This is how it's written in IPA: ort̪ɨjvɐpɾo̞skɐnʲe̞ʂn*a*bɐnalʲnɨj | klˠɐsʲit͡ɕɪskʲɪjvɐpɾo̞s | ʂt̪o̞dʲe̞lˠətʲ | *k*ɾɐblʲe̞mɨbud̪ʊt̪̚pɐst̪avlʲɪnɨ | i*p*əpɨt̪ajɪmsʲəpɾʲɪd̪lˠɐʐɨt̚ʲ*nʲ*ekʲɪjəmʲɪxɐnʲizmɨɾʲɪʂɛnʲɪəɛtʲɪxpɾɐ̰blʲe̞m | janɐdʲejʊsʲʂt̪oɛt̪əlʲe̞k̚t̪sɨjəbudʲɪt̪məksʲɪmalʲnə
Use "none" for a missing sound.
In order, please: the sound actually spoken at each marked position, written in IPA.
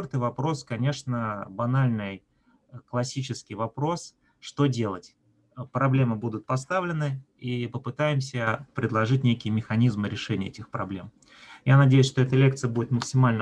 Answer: ə, p, p, nʲ

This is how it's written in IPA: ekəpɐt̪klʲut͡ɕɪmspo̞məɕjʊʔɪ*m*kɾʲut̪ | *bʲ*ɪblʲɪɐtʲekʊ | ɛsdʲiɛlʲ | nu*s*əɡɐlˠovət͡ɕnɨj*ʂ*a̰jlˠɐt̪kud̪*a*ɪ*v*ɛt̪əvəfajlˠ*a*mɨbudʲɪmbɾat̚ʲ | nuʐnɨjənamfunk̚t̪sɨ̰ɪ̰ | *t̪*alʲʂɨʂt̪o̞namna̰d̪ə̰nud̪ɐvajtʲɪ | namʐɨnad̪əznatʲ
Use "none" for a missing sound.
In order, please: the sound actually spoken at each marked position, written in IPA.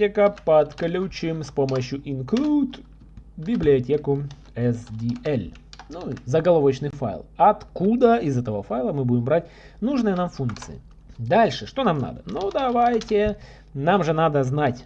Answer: n, bʲ, z, f, ə, z, ə, d̪

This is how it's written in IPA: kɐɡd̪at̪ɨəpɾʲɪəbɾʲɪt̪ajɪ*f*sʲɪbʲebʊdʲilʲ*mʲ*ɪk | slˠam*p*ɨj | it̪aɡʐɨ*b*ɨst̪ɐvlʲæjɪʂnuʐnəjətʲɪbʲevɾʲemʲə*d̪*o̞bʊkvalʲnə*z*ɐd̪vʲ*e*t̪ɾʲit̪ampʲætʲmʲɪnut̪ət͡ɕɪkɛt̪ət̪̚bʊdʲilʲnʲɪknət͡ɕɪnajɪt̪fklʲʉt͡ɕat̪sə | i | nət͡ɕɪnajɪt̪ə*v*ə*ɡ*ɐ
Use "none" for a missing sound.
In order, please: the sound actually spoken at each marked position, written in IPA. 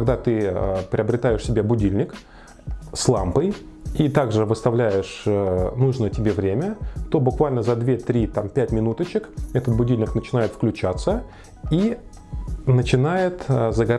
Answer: ʂ, nʲ, p, v, t̪, z, e, z, ɡ

